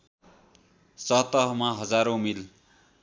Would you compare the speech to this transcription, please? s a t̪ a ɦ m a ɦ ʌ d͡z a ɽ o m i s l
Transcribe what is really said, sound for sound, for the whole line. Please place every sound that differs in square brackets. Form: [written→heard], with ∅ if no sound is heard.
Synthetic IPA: s [a→ʌ] t̪ [a→ʌ] ɦ m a ɦ ʌ d͡z a [ɽ→ɾ] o m i [s→∅] l